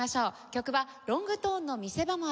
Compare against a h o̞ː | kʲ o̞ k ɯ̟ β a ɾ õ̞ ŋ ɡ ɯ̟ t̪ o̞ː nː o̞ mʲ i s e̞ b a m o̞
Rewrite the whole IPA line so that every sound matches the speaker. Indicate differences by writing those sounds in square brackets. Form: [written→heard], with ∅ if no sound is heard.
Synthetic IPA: a [h→ɕ] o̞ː | kʲ o̞ k ɯ̟ β a ɾ õ̞ ŋ ɡ ɯ̟ t̪ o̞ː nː o̞ mʲ i s e̞ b a m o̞